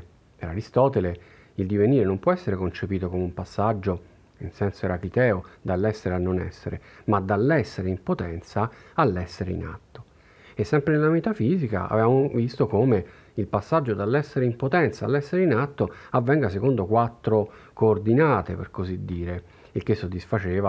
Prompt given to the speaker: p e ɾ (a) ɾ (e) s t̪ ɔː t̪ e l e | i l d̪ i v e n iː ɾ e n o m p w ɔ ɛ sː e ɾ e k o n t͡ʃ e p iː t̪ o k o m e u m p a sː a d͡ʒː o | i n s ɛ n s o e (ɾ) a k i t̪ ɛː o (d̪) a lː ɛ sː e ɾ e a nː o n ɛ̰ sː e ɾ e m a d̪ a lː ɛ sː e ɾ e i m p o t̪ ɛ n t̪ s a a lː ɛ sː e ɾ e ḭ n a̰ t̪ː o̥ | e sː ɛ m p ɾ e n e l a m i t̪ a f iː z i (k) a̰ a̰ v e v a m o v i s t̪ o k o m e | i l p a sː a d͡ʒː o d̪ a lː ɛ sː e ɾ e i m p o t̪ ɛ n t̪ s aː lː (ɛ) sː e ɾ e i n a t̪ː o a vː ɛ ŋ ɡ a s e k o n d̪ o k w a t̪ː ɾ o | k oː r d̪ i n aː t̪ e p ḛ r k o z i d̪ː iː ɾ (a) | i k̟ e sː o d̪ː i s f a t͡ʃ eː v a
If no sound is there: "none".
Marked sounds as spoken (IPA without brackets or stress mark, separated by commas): a, i, ɾ, d̪, k, ɛ, e